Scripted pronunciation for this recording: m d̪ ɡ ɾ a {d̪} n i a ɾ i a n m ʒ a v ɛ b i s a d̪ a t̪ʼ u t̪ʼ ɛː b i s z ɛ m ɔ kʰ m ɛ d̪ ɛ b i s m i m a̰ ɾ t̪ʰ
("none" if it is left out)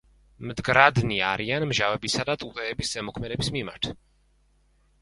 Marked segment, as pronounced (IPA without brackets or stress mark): d̪